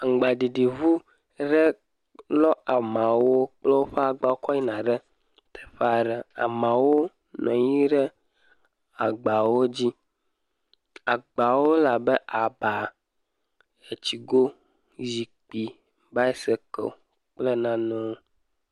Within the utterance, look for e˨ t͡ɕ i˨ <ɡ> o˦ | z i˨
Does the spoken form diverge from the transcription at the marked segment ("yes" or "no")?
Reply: no